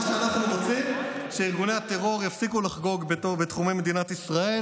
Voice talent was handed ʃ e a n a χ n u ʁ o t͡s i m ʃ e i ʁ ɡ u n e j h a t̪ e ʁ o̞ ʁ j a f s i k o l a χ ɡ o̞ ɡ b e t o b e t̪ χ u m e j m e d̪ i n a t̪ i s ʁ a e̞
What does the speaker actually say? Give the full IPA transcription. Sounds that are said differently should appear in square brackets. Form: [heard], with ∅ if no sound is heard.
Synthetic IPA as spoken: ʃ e a n a χ n u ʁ o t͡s i m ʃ e i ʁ ɡ u n e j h a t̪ e ʁ o̞ ʁ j a f s i k [u] l a χ ɡ o̞ ɡ b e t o b e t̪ χ u m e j m e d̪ i n a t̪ i s ʁ a e̞